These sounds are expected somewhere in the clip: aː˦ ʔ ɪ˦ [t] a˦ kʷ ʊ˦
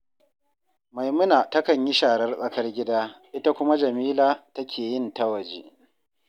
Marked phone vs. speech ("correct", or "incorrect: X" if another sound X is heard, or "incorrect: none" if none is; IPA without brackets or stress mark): correct